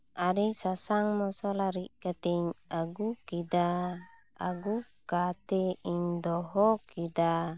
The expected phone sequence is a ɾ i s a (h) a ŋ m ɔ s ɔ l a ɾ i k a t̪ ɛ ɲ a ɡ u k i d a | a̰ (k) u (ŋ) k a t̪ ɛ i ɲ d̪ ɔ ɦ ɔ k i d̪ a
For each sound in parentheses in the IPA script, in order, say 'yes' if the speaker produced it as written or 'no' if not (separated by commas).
no, no, no